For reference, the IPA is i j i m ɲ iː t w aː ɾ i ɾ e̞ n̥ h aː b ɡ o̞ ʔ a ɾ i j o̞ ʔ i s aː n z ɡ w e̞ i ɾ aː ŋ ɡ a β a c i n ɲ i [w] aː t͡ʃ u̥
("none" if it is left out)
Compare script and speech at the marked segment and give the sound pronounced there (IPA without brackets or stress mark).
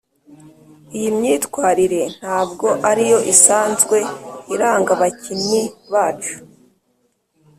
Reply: β